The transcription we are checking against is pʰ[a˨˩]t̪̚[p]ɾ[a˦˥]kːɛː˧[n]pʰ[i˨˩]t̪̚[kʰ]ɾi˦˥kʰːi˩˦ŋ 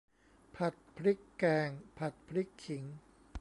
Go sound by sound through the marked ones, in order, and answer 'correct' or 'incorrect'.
correct, incorrect, incorrect, incorrect, incorrect, incorrect

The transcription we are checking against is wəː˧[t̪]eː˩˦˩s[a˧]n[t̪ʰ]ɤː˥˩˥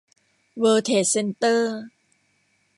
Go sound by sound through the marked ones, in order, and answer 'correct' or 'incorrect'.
incorrect, incorrect, incorrect

